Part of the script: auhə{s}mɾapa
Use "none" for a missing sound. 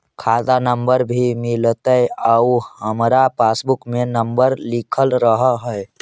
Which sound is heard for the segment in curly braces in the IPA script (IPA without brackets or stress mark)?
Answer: none